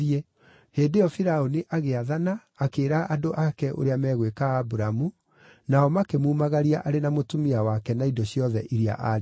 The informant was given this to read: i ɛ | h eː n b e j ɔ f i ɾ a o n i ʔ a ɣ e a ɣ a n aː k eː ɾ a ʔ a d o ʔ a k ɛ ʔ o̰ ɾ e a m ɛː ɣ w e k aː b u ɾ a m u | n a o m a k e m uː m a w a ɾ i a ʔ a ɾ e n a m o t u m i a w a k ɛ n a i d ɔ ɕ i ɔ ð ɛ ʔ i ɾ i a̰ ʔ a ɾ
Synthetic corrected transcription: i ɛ | h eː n d e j ɔ f i ɾ a o n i ʔ a ɣ e a ð a n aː k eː ɾ a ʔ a d o ʔ a k ɛ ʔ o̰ ɾ e a m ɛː ɣ w e k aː b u ɾ a m u | n a ɔ m a k e m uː m a ɣ a ɾ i a ʔ a ɾ e n a m o t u m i a w a k ɛ n a i d ɔ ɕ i ɔ ð ɛ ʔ i ɾ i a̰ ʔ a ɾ